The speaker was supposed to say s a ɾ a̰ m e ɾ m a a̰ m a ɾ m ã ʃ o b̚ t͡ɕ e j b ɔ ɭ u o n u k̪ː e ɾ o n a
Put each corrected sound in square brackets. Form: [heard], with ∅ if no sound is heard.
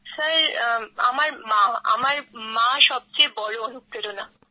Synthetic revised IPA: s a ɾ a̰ m [a] ɾ m a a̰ m a ɾ m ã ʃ [ɔ] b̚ t͡ɕ e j b ɔ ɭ [o] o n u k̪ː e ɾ o n a